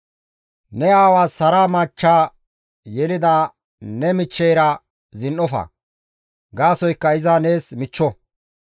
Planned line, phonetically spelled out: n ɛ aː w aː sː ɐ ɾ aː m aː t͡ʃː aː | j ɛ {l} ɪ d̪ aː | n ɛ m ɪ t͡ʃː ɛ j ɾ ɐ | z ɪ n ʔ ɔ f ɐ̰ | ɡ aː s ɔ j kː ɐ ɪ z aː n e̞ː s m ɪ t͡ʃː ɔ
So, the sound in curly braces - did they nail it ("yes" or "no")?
yes